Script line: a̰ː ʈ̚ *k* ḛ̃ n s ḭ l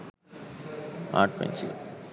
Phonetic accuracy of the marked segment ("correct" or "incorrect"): incorrect